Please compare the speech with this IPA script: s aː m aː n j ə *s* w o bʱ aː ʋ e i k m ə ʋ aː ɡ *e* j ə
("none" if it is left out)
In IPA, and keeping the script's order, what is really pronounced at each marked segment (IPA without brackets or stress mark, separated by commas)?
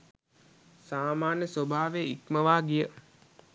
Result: s, i